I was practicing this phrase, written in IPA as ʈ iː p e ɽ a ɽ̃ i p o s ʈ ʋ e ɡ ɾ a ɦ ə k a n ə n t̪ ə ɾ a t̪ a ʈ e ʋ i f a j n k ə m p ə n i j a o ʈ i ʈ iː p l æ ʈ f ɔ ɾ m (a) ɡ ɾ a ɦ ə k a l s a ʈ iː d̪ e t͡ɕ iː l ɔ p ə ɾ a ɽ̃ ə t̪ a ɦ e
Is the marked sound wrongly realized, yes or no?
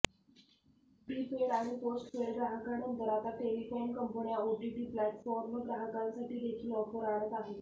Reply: yes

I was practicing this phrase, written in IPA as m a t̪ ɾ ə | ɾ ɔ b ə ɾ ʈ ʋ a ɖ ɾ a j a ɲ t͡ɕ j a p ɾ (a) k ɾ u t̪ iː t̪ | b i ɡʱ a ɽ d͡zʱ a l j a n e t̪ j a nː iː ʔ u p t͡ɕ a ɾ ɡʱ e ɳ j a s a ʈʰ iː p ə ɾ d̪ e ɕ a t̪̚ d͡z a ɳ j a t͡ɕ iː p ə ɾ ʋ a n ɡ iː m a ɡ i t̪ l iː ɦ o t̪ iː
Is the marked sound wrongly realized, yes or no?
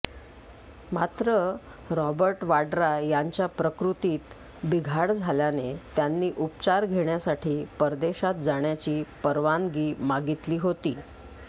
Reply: yes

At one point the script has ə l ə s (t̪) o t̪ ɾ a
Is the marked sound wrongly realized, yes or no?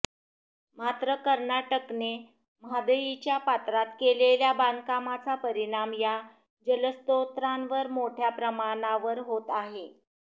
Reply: no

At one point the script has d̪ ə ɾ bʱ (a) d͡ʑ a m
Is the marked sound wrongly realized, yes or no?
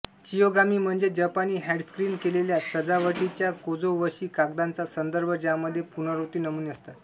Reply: yes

